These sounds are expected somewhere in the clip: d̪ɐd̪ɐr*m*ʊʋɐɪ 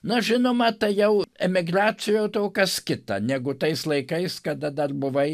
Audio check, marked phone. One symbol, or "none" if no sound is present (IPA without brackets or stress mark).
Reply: b